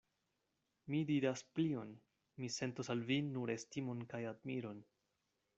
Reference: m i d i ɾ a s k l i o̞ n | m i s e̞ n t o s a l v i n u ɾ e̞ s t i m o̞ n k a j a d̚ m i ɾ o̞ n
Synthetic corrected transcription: m i d i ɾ a s p l i o̞ n | m i s e̞ n t o s a l v i n u ɾ e̞ s t i m o̞ n k a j a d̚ m i ɾ o̞ n